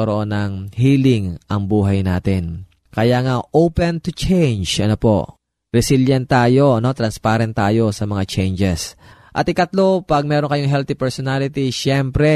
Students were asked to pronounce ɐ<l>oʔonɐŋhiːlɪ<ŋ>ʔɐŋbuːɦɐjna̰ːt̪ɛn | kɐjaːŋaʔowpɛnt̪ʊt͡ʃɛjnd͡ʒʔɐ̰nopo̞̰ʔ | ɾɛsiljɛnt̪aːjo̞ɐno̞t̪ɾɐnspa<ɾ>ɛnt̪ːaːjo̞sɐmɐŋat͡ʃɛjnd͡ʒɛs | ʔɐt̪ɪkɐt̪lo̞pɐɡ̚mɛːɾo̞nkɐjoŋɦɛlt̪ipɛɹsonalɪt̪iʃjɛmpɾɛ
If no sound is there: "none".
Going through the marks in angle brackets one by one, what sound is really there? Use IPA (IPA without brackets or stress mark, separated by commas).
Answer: ɾ, ŋ, ɾ